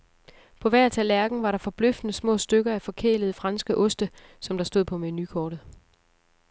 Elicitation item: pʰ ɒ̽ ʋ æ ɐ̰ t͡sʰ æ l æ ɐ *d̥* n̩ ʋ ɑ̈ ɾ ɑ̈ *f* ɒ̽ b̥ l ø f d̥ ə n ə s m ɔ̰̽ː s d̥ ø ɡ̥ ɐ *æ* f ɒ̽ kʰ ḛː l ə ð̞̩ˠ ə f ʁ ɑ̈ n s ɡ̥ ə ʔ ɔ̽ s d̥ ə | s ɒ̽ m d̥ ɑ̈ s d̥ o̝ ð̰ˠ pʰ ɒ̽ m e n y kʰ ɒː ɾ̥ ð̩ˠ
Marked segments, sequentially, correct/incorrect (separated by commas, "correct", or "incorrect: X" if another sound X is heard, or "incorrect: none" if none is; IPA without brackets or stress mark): incorrect: ɡ̥, correct, correct